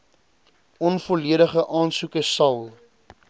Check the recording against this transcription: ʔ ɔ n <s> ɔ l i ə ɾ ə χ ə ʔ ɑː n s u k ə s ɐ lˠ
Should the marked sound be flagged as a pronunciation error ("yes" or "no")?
yes